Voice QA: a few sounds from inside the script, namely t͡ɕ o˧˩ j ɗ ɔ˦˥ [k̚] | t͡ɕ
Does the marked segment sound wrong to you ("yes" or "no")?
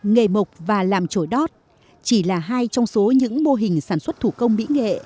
yes